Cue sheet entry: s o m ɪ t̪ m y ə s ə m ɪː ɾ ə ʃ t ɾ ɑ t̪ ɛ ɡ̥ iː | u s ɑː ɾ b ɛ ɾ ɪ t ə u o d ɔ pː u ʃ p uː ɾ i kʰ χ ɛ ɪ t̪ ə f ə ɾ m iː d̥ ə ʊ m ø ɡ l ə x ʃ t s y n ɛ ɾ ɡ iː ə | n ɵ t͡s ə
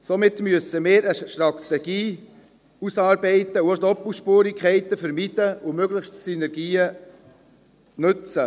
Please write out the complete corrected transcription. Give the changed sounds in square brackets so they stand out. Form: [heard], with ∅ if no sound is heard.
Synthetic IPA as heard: s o m ɪ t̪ m y ə s ə m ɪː ɾ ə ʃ t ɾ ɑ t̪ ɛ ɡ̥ iː | u s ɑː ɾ b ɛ [∅] ɪ t ə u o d ɔ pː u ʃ p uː ɾ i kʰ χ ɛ ɪ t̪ ə f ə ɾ m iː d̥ ə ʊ m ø ɡ l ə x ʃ t s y n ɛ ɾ ɡ iː ə | n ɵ t͡s ə

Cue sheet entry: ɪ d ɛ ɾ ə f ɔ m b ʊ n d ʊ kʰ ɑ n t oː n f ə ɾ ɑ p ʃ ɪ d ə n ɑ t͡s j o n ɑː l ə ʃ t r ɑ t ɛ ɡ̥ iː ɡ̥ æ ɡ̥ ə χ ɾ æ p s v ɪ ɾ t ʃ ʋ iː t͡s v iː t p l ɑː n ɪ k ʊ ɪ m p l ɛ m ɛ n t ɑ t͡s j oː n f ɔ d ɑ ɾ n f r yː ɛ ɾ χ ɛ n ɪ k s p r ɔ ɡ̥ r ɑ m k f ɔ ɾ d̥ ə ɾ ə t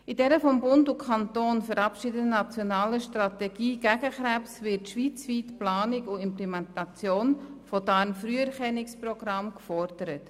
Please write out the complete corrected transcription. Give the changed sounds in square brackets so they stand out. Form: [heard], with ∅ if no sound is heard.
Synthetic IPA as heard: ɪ d ɛ ɾ ə f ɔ m b ʊ n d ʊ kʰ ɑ n t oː n f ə ɾ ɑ p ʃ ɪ d ə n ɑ t͡s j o n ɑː l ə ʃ t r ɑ t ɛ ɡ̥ iː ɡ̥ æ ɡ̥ ə χ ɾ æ p s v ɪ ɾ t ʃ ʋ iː t͡s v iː t p l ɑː n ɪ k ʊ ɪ m p l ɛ m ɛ n t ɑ t͡s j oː n f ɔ d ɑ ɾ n f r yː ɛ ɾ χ ɛ n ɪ k s p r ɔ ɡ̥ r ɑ m k f ɔ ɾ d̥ ə ɾ ə t

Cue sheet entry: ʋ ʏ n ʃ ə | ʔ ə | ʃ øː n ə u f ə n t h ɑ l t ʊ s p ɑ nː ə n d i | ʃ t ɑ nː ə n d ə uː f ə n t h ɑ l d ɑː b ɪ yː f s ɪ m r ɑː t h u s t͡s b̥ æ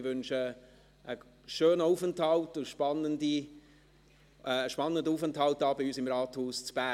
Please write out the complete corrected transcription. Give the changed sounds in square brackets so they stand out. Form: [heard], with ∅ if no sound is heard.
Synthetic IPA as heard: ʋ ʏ n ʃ ə | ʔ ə | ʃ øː n ə u f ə n t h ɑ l t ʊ [ʃ] p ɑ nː ə n d i | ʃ [p] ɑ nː ə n d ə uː f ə n t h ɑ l [t] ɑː b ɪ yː [∅] s ɪ m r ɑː t h [uː] s t͡s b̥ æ

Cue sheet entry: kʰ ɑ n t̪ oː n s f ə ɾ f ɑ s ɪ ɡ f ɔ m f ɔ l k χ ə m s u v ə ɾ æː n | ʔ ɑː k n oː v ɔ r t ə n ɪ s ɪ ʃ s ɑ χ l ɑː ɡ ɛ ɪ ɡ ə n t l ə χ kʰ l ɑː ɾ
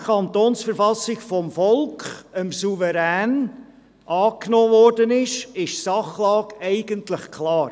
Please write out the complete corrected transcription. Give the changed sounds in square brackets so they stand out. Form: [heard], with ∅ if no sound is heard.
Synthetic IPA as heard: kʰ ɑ n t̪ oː n s f ə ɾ f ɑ s ɪ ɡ f ɔ m f ɔ l k χ ə m s u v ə ɾ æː n | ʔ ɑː k n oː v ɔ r [d] ə n ɪ [ʃ] ɪ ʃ s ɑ χ l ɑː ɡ ɛ ɪ ɡ ə n t l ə χ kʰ l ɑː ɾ

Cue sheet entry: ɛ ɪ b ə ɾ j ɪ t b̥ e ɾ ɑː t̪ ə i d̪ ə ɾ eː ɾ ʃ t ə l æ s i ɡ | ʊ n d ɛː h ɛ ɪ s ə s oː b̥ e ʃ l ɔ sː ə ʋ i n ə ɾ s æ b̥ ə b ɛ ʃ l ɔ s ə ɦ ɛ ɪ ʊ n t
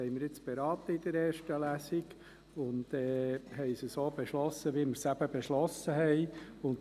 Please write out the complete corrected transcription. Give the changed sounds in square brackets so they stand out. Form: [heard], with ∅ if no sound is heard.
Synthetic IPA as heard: ɛ ɪ [m] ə ɾ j ɪ [t͡s] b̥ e ɾ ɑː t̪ ə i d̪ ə ɾ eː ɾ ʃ t ə l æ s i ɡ | ʊ n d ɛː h ɛ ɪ s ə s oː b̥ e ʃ l ɔ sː ə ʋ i [m] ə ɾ s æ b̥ ə b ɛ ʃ l ɔ s ə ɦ ɛ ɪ ʊ n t

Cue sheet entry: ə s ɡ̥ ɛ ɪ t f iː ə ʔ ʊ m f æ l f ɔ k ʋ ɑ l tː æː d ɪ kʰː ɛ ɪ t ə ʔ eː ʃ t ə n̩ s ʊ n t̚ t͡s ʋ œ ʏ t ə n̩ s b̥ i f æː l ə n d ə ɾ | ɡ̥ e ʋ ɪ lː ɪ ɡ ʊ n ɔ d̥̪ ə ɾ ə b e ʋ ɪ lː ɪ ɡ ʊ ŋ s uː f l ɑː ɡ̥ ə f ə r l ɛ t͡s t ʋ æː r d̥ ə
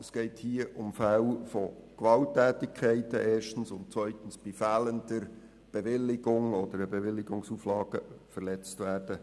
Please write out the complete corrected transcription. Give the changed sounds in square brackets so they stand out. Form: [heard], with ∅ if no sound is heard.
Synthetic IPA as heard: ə s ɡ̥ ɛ ɪ t [h] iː ə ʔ ʊ m f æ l f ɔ k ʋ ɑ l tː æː [t] ɪ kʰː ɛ ɪ t ə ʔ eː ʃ t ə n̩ s ʊ n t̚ t͡s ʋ œ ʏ t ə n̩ s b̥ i f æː l ə n d ə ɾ | [b̥] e ʋ ɪ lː ɪ ɡ ʊ [ŋ] ɔ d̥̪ ə ɾ ə b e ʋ ɪ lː ɪ ɡ ʊ ŋ s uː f l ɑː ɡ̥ ə f ə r l ɛ t͡s t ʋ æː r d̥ ə

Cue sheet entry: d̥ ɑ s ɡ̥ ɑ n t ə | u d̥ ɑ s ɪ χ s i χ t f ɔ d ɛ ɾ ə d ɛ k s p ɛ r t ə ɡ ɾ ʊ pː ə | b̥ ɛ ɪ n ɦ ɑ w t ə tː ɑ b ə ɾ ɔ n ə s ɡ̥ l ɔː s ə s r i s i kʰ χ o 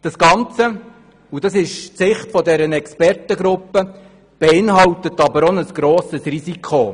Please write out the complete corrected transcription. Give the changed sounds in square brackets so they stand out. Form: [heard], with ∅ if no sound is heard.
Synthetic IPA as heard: d̥ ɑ s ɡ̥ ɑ n [t͡s] ə | u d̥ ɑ s ɪ [ʃ] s [ɪ] χ t f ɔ d ɛ ɾ ə [n] ɛ k s p ɛ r t ə ɡ ɾ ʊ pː ə | b̥ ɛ ɪ n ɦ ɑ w t ə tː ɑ b ə ɾ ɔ n ə s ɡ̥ [ɾ] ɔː s ə s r i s i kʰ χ o

